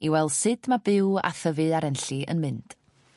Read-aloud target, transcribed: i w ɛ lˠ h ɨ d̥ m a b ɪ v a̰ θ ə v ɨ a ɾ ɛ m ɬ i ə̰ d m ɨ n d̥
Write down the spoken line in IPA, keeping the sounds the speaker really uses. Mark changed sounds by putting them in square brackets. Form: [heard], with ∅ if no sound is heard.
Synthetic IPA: i w ɛ lˠ [s] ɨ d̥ m a b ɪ [w] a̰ θ ə v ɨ a ɾ ɛ [n] ɬ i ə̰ [n] m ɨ n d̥